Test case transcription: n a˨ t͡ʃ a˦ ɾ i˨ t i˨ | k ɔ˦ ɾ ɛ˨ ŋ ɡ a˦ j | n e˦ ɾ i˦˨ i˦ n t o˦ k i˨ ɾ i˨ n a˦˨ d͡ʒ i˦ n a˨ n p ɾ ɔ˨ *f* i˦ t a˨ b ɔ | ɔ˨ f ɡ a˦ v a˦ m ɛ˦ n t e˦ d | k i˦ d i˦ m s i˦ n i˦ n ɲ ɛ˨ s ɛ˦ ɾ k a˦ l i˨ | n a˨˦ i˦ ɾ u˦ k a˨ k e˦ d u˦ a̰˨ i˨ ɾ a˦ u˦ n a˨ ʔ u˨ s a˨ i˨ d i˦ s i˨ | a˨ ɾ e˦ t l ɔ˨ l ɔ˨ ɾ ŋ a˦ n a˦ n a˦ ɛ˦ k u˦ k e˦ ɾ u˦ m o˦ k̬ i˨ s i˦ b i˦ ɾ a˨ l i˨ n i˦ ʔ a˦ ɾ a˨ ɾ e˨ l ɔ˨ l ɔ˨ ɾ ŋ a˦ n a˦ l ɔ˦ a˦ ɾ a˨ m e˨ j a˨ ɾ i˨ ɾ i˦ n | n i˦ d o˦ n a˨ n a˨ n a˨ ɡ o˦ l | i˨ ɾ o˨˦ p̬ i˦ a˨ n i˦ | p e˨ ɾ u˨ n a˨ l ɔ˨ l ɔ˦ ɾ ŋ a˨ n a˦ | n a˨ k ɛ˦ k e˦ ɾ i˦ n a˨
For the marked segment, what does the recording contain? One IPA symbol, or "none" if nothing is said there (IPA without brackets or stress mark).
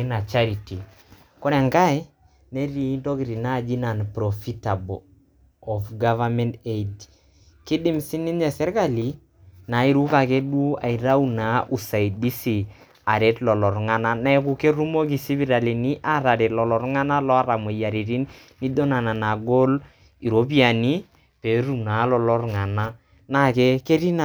f